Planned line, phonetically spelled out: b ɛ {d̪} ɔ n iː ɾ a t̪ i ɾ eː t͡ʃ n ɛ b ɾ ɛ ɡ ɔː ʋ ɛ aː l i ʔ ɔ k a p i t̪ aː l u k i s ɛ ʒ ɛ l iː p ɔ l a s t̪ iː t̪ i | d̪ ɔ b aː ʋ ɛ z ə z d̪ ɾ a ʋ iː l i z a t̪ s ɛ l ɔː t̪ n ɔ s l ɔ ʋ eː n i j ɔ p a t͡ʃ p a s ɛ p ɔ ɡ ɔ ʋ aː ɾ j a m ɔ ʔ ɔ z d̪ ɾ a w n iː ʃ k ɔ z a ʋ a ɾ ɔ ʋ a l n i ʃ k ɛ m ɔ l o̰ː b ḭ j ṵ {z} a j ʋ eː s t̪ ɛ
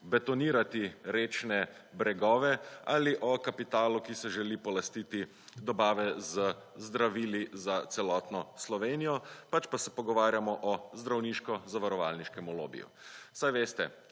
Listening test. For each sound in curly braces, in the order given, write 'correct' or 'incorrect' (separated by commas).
incorrect, incorrect